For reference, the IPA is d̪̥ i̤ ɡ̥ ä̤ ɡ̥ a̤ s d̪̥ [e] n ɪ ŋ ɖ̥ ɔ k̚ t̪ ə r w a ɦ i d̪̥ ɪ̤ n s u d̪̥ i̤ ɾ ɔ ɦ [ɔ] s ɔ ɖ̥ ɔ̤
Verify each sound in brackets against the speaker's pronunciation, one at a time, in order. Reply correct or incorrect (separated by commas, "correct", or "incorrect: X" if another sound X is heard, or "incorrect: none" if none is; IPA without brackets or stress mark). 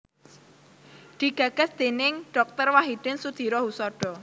correct, incorrect: u